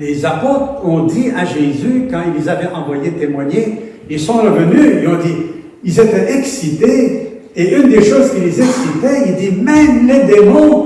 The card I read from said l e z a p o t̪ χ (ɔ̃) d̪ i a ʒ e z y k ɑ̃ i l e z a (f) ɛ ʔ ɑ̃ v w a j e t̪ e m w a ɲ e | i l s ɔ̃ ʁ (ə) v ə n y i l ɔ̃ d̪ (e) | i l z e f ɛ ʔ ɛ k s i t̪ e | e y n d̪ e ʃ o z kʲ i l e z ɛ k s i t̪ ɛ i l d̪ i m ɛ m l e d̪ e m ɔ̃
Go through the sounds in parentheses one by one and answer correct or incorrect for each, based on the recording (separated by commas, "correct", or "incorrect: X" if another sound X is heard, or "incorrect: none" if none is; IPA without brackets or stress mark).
correct, incorrect: v, correct, incorrect: i